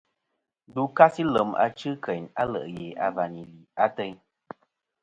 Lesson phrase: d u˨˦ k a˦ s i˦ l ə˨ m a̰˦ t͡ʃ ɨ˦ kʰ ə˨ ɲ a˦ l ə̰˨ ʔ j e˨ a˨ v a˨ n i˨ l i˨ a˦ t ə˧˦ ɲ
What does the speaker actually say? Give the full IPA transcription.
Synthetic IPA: d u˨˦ k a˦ s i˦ l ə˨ m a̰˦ t͡ʃ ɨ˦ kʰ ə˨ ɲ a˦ l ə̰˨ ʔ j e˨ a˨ v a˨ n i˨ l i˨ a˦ t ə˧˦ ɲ